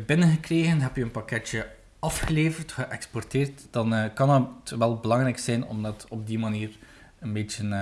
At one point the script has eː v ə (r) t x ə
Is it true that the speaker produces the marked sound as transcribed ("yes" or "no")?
yes